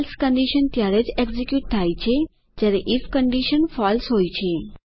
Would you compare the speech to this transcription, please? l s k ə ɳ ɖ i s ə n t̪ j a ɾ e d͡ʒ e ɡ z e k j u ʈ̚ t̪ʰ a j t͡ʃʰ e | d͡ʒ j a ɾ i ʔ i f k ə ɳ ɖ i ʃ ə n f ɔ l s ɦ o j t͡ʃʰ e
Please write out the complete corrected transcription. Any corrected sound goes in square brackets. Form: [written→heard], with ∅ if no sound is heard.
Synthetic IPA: l s k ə ɳ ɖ i [s→ʃ] ə n t̪ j a ɾ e d͡ʒ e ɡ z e k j u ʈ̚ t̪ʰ a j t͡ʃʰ e | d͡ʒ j a ɾ [i→e] ʔ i f k ə ɳ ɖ i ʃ ə n f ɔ l s ɦ o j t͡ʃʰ e